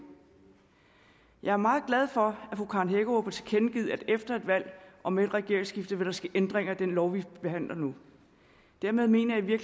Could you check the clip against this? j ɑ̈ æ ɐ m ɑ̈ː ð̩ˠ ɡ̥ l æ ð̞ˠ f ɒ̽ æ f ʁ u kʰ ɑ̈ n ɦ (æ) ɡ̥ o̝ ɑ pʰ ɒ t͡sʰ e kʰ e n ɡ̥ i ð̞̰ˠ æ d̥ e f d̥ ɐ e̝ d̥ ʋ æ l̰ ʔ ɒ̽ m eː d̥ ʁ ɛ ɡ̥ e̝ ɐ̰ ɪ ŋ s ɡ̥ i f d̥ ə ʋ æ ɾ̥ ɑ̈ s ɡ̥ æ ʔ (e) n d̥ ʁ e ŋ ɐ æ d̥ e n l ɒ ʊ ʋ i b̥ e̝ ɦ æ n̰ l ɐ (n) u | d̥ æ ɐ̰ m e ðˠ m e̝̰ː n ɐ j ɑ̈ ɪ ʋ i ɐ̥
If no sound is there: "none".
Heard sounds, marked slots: e, e, n

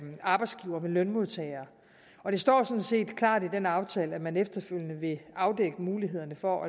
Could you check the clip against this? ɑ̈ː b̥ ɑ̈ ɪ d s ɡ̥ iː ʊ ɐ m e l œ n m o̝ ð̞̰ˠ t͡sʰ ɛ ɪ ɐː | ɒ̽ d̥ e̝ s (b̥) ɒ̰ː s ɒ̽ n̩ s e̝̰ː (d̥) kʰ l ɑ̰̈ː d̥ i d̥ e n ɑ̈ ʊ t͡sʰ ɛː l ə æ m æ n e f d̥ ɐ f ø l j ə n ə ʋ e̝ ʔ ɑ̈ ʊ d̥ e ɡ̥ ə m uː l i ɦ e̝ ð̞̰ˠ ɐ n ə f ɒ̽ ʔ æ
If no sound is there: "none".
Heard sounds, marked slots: d̥, d̥

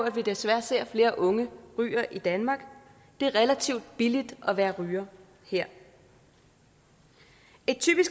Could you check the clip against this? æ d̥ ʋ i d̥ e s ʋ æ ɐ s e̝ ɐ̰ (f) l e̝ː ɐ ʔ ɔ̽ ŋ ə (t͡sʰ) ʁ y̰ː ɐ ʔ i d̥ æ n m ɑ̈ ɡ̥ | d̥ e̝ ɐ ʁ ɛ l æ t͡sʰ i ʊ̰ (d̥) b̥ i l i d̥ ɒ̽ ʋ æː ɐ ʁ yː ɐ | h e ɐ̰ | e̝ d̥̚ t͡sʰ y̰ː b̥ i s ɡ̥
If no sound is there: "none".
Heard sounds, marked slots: f, none, d̥

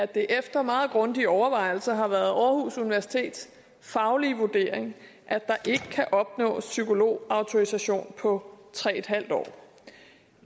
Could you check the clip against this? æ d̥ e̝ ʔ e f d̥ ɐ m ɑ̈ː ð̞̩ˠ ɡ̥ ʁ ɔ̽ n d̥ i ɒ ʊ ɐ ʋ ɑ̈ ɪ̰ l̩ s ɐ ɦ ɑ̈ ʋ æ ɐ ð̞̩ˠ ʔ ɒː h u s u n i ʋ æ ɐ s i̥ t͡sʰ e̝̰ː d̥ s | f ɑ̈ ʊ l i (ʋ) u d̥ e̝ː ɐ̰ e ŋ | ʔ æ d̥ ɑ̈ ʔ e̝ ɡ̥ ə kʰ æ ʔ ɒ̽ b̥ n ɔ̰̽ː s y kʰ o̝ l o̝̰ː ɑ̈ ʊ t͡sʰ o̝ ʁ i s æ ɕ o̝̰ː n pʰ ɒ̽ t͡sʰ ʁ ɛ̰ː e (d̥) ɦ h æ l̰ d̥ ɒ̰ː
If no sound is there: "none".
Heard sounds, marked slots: ʋ, d̥

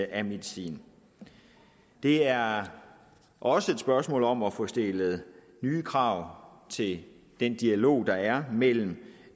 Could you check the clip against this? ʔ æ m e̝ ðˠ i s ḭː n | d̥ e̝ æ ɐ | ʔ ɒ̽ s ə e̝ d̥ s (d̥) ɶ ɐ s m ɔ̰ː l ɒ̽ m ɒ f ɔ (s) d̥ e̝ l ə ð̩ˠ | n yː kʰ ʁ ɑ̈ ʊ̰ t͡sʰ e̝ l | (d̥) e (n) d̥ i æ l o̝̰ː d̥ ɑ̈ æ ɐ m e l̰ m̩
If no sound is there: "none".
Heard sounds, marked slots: b̥, s, d̥, n

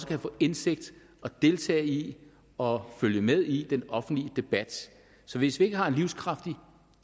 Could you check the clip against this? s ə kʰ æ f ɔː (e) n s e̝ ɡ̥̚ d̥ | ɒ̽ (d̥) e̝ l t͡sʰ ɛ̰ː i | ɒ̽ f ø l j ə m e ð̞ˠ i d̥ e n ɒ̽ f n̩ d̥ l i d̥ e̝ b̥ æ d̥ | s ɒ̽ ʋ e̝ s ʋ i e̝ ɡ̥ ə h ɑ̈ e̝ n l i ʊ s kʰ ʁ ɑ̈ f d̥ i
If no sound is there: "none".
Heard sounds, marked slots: e, d̥

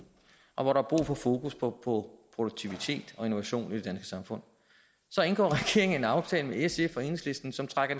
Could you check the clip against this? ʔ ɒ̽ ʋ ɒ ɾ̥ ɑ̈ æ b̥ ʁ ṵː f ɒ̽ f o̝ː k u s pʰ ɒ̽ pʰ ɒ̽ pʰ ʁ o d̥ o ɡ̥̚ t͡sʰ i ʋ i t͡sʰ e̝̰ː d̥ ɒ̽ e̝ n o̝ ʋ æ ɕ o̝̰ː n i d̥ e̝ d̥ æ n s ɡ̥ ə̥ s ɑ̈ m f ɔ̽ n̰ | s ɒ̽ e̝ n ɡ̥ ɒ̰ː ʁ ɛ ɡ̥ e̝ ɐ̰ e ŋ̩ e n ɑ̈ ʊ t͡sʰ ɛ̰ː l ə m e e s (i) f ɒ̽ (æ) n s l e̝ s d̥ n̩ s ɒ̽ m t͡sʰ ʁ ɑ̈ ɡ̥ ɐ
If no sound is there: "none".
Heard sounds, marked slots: e, e

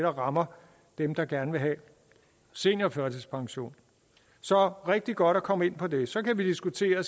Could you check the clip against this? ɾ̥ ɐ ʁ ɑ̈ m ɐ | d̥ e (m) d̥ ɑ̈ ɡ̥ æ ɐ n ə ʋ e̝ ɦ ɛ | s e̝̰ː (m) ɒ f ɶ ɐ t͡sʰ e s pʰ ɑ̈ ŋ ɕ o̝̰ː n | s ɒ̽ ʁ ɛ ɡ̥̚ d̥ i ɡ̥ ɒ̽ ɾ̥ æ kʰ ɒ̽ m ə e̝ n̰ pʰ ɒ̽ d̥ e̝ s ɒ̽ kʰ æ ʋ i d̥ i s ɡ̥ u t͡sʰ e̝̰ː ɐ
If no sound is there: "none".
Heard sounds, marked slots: m, n

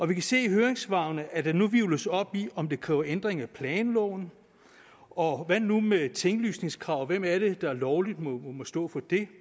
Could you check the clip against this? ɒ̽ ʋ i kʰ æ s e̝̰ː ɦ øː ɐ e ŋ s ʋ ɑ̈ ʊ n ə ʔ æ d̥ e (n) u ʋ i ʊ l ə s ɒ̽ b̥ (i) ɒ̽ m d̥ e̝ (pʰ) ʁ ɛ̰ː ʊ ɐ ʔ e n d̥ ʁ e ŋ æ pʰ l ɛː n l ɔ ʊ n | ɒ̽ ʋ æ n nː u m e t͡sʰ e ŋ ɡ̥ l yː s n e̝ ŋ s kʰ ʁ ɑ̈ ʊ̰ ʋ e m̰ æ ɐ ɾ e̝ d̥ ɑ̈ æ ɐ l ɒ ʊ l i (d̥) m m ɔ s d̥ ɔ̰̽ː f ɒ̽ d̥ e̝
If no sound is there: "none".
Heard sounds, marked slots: n, i, kʰ, d̥

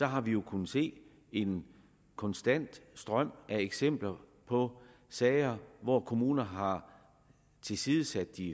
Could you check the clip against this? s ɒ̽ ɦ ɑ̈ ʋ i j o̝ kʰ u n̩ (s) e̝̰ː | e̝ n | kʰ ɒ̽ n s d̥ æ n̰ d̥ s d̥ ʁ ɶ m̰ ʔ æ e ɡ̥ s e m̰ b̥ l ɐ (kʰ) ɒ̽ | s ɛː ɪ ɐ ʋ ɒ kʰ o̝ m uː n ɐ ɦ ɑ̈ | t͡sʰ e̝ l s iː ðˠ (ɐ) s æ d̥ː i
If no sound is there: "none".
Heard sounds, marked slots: s, pʰ, ə

